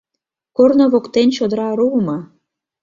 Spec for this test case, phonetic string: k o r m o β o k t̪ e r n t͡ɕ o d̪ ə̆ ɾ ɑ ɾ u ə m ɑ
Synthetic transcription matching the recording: k o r n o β o k t̪ e n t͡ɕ o d̪ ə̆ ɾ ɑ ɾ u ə m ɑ